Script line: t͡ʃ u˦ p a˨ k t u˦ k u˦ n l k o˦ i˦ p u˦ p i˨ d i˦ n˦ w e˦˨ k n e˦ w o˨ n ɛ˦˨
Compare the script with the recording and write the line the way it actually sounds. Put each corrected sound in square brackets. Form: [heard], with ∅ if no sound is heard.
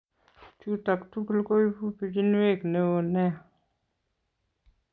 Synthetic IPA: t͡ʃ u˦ [t] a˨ k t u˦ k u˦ [∅] l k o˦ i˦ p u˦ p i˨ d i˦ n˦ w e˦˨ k n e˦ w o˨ n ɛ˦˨